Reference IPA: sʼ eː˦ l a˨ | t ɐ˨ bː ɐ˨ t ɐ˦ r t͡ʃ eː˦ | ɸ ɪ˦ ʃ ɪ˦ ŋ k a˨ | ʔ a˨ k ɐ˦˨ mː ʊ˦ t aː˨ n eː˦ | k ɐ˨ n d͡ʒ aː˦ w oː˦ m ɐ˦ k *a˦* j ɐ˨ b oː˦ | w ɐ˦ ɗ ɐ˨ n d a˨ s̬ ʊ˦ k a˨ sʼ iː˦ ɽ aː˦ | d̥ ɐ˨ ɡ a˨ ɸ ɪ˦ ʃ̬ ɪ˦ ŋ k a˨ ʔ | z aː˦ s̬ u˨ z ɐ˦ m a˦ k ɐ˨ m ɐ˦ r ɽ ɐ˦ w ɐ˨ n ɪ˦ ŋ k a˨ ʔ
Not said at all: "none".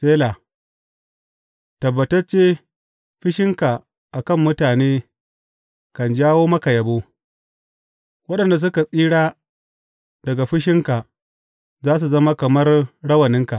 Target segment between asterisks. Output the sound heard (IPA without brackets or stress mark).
a˨